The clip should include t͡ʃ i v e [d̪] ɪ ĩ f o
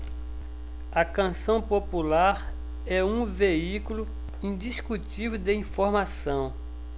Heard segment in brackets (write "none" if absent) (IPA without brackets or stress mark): d̪